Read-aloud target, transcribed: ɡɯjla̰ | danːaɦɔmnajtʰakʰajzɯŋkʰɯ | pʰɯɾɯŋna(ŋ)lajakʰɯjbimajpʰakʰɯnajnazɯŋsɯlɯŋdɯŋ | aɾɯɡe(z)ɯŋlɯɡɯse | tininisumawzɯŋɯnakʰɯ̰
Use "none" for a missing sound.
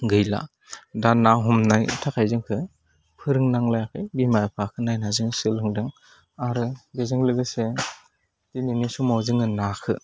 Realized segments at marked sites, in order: ŋ, z

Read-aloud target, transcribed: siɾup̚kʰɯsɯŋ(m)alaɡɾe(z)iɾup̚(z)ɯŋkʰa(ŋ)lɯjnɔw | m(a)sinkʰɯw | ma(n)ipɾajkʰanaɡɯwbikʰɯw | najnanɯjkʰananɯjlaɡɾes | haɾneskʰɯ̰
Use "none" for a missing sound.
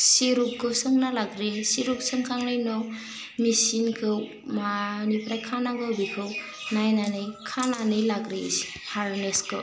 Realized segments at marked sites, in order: n, s, s, ŋ, i, n

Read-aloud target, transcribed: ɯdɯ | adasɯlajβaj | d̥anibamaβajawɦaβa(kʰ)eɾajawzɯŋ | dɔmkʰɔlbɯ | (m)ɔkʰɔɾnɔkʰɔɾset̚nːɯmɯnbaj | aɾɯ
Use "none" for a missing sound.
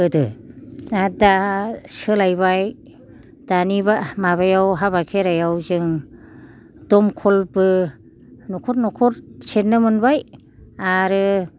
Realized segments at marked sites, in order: kʰ, n

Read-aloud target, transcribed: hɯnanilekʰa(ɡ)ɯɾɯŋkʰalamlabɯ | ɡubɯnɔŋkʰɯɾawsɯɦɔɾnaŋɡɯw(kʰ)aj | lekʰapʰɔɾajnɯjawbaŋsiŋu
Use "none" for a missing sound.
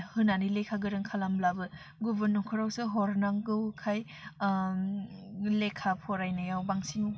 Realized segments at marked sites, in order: ɡ, kʰ

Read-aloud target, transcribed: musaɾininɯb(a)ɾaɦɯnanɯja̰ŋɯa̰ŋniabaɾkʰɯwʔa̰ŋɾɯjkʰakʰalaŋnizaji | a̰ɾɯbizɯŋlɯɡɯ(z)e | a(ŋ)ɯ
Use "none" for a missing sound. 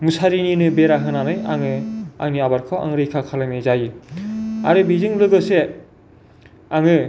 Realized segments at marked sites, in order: e, s, ŋ

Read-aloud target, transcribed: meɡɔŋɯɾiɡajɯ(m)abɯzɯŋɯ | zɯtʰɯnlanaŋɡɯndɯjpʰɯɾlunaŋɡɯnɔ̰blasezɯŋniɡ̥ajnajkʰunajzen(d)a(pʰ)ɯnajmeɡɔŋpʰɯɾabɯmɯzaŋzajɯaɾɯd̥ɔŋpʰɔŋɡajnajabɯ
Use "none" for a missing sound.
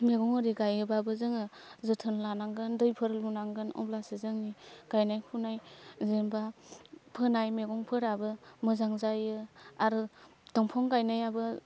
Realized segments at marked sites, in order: b, b, pʰ

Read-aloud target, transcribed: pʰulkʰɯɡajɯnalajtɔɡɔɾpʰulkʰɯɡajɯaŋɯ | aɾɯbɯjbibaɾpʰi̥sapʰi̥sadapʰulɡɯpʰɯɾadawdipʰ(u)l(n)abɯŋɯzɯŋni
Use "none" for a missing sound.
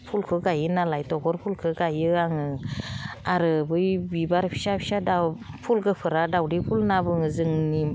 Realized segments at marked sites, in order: u, n

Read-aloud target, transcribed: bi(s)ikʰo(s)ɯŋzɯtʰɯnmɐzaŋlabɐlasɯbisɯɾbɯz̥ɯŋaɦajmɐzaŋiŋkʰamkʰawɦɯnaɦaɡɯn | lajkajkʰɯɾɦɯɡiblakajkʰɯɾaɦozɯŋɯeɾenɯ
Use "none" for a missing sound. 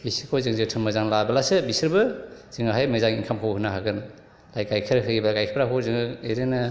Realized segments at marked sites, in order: s, z

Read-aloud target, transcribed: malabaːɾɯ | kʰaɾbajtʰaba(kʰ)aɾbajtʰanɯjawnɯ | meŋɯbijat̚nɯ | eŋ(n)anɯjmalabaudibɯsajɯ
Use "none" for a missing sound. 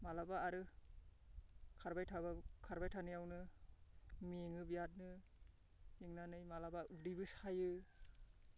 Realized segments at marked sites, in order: kʰ, n

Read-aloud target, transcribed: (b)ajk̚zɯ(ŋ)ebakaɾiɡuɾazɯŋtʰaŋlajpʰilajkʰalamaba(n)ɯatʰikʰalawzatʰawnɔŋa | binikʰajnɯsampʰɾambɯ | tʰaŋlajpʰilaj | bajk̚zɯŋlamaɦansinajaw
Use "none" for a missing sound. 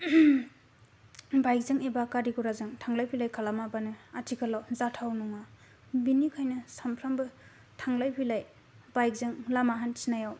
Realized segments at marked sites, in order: b, ŋ, n

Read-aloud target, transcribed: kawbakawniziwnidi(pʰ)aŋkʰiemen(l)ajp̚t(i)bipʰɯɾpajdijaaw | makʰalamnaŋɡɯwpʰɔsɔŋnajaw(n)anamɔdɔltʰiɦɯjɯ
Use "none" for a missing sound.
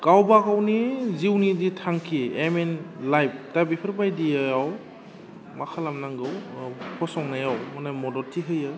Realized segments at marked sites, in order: tʰ, l, a, m

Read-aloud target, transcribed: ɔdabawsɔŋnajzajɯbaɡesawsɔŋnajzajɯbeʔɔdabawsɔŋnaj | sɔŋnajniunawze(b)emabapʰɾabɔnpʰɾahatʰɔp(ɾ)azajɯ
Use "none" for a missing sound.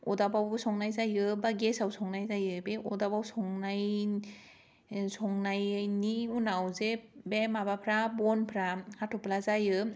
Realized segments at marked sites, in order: b, l

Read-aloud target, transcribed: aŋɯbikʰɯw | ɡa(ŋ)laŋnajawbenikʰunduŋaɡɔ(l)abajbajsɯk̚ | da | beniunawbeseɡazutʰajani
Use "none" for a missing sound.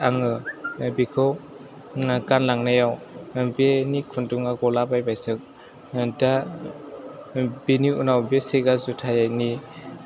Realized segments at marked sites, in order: n, l

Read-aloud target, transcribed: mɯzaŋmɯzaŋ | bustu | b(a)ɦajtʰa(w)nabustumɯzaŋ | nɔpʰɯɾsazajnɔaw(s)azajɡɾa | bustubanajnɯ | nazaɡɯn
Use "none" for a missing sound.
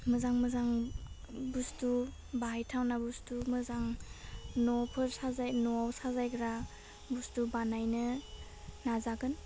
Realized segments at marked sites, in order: a, w, s

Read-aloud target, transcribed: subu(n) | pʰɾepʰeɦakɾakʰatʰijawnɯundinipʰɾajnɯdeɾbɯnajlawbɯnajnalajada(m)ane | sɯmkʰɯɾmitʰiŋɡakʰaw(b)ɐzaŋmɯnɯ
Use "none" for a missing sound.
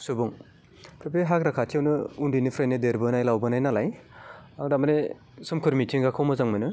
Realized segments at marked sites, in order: ŋ, m, m

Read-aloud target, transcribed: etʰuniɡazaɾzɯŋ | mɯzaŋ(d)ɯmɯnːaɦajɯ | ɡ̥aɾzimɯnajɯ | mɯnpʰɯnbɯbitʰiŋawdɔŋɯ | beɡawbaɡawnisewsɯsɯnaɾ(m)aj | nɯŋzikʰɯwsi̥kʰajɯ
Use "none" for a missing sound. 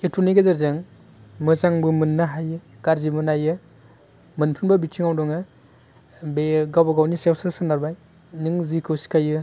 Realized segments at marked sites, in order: b, b

